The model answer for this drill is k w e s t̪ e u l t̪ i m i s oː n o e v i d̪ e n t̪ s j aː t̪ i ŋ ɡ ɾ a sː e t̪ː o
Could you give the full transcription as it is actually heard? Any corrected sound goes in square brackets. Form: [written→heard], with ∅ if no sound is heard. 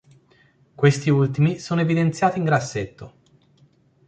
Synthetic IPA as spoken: k w e s t̪ [e→i] u l t̪ i m i s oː n o e v i d̪ e n t̪ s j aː t̪ i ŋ ɡ ɾ a sː e t̪ː o